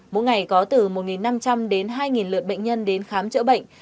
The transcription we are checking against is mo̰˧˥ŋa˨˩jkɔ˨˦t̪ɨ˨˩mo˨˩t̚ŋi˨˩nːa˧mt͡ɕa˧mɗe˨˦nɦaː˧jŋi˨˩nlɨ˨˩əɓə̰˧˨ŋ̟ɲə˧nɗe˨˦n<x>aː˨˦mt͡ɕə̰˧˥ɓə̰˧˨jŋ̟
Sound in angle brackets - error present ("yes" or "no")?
no